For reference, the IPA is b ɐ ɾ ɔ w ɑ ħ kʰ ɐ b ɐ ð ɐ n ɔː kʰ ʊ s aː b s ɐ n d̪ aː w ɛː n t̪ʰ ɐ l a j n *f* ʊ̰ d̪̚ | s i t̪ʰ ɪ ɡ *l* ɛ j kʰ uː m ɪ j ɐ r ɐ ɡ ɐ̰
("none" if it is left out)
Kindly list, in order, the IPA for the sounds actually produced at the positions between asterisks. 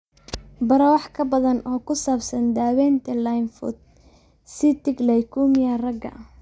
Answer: f, l

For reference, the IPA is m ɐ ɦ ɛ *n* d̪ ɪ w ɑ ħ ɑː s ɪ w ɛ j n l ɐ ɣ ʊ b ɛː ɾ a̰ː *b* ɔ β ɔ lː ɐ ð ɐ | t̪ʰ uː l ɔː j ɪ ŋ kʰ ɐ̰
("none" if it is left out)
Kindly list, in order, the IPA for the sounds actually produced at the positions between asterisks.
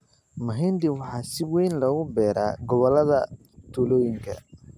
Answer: n, ɡ

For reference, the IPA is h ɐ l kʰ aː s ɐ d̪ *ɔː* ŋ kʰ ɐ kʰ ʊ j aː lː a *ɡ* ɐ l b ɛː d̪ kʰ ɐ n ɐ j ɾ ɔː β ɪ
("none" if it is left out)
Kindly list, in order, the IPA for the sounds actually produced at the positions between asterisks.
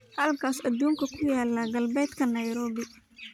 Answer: uː, ɡ

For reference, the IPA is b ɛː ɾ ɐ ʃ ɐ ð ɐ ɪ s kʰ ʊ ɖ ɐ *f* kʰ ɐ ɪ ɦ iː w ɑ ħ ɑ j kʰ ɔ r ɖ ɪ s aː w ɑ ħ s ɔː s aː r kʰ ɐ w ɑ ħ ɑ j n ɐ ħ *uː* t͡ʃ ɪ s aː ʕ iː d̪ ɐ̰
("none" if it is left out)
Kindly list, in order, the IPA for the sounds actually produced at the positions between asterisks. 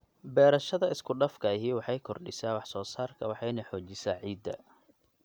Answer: f, ɔː

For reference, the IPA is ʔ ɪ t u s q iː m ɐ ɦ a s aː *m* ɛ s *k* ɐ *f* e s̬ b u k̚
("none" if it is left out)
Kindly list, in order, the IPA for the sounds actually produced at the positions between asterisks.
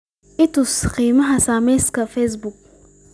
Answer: m, k, f

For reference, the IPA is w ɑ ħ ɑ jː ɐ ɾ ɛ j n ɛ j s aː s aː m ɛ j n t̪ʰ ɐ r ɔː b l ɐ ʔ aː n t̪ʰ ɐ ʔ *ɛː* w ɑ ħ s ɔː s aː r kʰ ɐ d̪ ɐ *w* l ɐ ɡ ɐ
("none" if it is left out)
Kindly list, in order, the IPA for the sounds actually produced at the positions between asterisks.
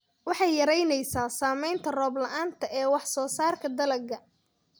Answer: ɛː, none

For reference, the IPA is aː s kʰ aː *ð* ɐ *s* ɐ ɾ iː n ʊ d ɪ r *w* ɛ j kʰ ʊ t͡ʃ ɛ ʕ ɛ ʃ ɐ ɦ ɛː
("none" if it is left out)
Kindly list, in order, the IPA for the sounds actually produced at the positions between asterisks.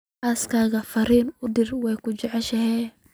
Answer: ɣ, f, w

